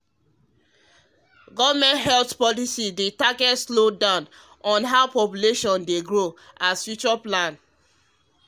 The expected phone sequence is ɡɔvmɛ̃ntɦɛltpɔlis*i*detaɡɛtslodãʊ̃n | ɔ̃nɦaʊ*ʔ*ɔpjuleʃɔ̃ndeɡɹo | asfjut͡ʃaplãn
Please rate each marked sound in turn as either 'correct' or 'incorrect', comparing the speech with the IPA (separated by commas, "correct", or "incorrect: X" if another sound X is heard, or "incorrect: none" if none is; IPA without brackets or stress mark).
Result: correct, incorrect: p